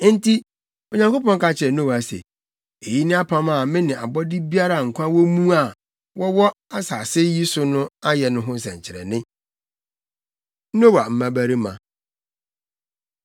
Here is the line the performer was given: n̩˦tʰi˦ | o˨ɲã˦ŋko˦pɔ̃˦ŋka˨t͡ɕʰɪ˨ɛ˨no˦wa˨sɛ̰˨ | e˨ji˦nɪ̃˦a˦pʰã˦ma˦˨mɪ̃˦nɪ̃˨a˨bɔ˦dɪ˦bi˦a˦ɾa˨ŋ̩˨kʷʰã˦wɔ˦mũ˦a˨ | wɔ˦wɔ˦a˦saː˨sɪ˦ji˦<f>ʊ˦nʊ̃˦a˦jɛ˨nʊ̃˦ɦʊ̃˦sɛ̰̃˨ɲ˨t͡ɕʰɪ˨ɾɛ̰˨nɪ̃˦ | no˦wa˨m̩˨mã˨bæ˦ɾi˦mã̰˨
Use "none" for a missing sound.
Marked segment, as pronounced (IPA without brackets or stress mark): s